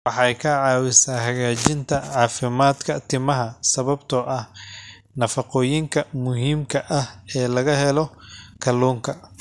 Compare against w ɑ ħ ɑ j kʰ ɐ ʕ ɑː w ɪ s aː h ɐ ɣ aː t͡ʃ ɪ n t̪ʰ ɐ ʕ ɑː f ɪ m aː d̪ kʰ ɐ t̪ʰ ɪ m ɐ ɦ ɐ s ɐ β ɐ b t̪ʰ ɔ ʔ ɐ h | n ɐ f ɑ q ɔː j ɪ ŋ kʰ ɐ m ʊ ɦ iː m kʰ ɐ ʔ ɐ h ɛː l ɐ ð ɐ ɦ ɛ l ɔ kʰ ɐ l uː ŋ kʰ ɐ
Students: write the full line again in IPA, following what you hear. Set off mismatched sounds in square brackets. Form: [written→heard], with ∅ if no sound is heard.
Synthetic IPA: w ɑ ħ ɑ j kʰ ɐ ʕ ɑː w ɪ s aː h ɐ ɣ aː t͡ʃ ɪ n t̪ʰ ɐ ʕ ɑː f ɪ m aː d̪ kʰ ɐ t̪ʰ ɪ m ɐ ɦ ɐ s ɐ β ɐ b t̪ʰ ɔ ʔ ɐ h | n ɐ f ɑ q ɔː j ɪ ŋ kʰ ɐ m ʊ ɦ iː m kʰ ɐ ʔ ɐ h ɛː l ɐ [ð→ɣ] ɐ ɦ ɛ l ɔ kʰ ɐ l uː ŋ kʰ ɐ